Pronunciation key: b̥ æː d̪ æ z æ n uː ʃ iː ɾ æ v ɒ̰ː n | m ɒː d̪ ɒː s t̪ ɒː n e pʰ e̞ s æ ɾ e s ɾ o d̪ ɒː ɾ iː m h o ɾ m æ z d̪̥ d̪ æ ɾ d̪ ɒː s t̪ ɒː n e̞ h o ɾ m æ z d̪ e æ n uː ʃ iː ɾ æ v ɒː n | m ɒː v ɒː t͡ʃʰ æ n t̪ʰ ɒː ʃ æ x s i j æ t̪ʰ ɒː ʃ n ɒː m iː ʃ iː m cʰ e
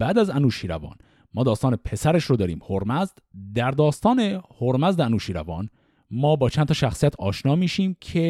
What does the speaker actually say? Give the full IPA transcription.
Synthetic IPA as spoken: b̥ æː d̪ æ z æ n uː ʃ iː ɾ æ v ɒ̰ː n | m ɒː d̪ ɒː s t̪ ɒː n e pʰ e̞ s æ ɾ e ʃ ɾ o d̪ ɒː ɾ iː m h o ɾ m æ z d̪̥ d̪ æ ɾ d̪ ɒː s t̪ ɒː n e̞ h o ɾ m æ z d̪ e æ n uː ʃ iː ɾ æ v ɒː n | m ɒː b ɒː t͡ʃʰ æ n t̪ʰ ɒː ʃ æ x s i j æ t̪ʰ ɒː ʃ n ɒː m iː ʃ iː m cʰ e